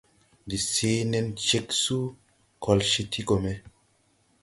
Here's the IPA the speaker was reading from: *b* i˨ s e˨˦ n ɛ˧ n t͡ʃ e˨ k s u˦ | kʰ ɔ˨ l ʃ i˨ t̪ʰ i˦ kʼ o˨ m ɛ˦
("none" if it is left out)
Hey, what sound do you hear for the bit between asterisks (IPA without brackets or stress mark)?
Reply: d